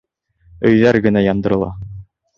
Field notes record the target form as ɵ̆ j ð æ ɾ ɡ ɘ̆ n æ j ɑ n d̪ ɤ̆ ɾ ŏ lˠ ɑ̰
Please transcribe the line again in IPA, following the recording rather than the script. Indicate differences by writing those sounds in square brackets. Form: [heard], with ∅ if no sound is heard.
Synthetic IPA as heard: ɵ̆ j ð æ ɾ ɡ ɘ̆ n æ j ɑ n d̪ ɤ̆ ɾ [ɤ̆] lˠ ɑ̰